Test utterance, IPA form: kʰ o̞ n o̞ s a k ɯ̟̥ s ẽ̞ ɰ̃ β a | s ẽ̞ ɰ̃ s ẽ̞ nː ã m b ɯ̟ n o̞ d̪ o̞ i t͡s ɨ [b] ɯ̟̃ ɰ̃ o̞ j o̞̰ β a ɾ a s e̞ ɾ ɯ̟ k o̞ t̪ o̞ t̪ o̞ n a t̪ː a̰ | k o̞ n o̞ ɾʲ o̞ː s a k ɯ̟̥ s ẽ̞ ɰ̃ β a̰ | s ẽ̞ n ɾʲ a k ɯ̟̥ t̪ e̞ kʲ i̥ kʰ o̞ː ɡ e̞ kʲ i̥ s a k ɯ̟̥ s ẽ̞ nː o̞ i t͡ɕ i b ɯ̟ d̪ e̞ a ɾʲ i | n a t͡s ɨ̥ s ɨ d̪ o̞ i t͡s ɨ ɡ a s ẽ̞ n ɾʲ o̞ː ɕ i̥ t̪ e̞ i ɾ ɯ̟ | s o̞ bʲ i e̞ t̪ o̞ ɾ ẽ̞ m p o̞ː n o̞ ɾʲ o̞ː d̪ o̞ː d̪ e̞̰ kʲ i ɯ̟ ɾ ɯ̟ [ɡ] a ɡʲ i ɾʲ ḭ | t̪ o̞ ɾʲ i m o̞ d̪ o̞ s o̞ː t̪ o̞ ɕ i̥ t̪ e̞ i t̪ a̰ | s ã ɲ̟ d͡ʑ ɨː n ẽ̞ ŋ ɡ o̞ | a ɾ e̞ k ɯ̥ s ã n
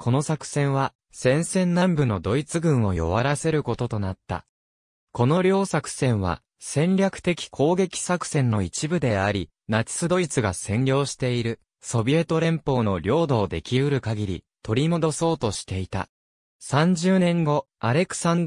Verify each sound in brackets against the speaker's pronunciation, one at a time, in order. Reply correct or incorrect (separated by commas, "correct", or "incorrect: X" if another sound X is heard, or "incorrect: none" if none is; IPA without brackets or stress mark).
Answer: incorrect: ɡ, incorrect: k